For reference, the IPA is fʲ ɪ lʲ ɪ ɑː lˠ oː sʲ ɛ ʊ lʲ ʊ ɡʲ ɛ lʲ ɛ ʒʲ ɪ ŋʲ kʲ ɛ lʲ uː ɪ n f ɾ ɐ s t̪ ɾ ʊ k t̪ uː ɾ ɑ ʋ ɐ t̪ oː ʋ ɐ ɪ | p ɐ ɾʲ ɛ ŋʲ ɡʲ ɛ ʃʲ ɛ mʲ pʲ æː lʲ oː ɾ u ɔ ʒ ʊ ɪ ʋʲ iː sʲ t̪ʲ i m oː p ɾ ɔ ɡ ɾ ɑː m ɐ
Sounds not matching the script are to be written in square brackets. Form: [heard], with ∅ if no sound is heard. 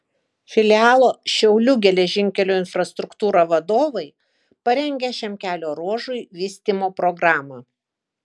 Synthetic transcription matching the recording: fʲ ɪ lʲ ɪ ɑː lˠ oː [ʃʲ] ɛ ʊ lʲ ʊ ɡʲ ɛ lʲ ɛ ʒʲ ɪ ŋʲ kʲ ɛ lʲ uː ɪ n f ɾ ɐ s t̪ ɾ ʊ k t̪ uː ɾ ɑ ʋ ɐ [d̪] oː ʋ ɐ ɪ | p ɐ ɾʲ ɛ ŋʲ ɡʲ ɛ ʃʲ ɛ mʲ [kʲ] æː lʲ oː ɾ u ɔ ʒ ʊ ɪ ʋʲ iː sʲ t̪ʲ i m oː p ɾ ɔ ɡ ɾ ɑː m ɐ